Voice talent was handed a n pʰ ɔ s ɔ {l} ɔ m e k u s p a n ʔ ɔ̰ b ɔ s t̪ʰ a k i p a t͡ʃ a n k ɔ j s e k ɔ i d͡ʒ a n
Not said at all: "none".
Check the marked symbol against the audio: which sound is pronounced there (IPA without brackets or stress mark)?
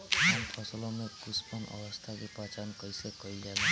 l